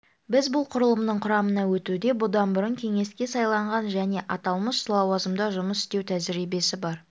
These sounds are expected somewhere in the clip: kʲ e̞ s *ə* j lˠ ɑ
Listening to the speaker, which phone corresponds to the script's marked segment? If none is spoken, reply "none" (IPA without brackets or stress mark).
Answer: ɑ